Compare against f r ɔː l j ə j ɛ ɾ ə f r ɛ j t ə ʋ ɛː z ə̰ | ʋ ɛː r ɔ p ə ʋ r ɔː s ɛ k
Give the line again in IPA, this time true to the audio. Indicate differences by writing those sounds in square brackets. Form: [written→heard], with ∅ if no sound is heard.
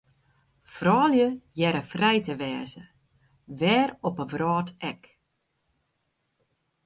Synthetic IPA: f r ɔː l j ə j ɛ ɾ ə f r ɛ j t ə ʋ ɛː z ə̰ | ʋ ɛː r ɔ p ə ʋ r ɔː [s→t] ɛ k